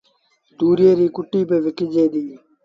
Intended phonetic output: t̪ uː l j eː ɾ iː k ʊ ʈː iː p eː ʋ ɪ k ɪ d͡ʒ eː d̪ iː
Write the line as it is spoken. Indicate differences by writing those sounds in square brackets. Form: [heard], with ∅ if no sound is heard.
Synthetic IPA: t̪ uː [ɾ] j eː ɾ iː k ʊ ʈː iː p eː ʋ ɪ k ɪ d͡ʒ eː d̪ iː